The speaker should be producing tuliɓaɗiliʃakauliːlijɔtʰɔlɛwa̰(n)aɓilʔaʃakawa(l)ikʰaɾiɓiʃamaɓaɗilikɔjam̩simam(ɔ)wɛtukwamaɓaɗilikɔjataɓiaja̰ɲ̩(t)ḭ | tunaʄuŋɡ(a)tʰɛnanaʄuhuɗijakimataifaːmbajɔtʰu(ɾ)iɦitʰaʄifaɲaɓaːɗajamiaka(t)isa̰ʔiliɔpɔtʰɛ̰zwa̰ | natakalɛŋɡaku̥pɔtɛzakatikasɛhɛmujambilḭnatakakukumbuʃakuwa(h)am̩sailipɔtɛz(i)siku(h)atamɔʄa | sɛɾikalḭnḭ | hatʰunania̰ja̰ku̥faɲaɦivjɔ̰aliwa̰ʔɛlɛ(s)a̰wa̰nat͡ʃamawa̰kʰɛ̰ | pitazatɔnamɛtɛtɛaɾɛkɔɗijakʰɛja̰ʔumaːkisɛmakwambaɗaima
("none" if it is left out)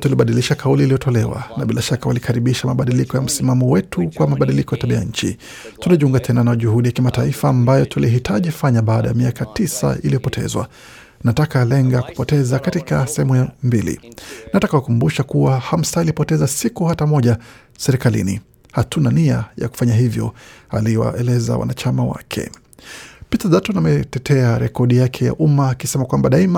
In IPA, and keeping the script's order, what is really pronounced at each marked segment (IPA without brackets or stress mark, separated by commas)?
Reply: n, l, ɔ, t͡ʃ, a, l, t, h, a, h, z